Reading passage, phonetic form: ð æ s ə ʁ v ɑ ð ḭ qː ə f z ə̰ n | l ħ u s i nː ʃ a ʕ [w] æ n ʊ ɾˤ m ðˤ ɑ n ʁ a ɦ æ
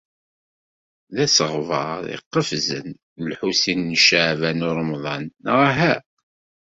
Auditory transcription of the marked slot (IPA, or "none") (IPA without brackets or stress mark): v